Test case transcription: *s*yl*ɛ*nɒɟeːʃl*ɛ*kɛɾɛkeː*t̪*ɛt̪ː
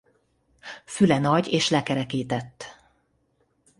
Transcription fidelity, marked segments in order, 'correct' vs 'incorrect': incorrect: f, correct, correct, correct

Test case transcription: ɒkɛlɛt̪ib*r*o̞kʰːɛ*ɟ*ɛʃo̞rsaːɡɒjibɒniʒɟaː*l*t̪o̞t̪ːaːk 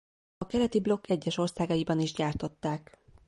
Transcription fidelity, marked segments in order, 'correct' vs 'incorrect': incorrect: l, incorrect: ɟː, incorrect: r

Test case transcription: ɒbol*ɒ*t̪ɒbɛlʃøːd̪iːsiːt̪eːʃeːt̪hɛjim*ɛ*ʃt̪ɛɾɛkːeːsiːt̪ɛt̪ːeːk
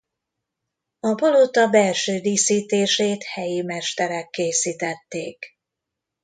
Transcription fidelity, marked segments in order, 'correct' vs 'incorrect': incorrect: o, correct

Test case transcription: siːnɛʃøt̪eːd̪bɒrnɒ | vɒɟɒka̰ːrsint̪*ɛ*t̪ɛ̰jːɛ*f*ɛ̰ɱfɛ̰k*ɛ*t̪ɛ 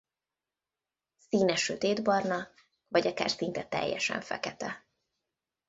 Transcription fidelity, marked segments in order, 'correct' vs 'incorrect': correct, incorrect: ʃ, correct

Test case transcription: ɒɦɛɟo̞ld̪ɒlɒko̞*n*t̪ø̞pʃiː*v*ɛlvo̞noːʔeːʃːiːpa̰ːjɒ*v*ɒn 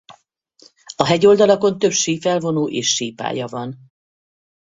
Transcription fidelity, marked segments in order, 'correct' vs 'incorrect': correct, incorrect: f, correct

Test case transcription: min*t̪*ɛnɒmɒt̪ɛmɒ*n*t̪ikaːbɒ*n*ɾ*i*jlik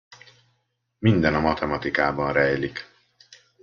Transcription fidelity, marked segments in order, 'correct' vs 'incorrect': incorrect: d̪, incorrect: none, correct, incorrect: ɛ

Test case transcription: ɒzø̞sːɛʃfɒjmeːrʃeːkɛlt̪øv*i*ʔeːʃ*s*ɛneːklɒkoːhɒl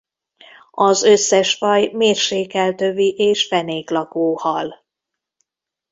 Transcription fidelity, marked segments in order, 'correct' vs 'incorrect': correct, incorrect: f

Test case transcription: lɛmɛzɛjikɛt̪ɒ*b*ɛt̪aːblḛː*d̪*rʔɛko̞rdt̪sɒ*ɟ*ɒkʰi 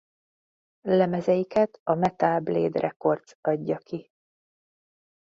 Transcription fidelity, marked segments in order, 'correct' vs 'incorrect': incorrect: m, correct, incorrect: ɟː

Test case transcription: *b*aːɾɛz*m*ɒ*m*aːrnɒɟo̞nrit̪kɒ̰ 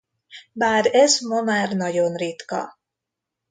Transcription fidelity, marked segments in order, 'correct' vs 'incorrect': correct, correct, correct

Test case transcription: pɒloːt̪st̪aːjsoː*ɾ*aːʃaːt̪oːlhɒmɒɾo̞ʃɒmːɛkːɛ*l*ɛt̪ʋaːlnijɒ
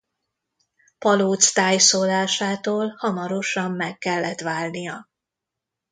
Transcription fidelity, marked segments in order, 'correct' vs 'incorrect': incorrect: l, incorrect: lː

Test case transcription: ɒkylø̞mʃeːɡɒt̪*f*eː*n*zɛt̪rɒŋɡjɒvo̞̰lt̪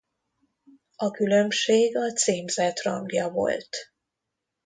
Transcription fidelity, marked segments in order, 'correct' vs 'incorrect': incorrect: s, incorrect: m

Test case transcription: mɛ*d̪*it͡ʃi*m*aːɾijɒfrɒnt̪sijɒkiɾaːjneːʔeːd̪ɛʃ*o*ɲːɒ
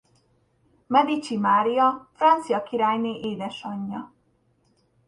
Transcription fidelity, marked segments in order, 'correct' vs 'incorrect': correct, correct, incorrect: ɒ

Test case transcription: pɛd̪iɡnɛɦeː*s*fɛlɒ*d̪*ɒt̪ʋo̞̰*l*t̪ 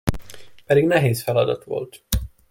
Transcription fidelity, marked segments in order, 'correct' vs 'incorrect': correct, correct, correct

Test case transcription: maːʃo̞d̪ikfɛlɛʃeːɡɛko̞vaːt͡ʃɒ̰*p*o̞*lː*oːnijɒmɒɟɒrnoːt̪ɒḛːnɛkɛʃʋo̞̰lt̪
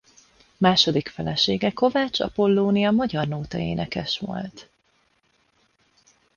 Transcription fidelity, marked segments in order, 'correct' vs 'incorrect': correct, correct

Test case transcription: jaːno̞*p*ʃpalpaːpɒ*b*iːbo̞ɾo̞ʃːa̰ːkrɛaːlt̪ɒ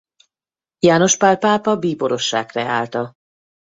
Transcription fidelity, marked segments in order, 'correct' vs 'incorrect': incorrect: none, correct

